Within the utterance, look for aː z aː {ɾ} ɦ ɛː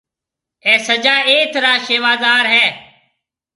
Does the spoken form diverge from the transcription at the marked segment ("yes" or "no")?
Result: no